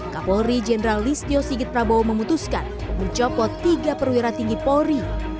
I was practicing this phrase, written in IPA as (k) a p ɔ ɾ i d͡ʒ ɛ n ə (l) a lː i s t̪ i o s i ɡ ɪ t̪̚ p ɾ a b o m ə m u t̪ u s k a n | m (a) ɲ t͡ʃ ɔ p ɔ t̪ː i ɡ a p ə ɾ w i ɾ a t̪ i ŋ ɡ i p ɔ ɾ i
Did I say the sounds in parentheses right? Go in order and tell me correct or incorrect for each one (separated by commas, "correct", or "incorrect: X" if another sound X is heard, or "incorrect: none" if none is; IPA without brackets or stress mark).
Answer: correct, incorrect: ɾ, incorrect: ə